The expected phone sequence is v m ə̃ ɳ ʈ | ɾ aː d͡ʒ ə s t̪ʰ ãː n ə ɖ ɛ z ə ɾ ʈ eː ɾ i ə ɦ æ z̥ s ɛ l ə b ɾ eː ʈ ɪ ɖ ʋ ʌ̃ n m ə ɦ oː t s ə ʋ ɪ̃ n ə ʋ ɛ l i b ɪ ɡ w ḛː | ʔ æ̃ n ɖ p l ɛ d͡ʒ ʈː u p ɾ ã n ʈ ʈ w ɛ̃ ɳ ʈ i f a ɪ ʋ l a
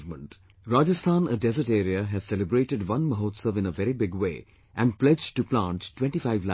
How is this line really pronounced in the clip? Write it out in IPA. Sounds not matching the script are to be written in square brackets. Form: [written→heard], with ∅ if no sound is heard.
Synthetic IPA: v m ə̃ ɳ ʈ | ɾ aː d͡ʒ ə s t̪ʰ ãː n ə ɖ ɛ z ə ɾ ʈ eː ɾ i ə ɦ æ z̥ s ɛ l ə b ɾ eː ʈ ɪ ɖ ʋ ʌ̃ n m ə ɦ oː t s ə ʋ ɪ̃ n ə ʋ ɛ [l→ɾ] i b ɪ ɡ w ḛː | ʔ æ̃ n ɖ p l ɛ d͡ʒ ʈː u p [ɾ→l] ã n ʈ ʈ w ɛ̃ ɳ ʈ i f a ɪ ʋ l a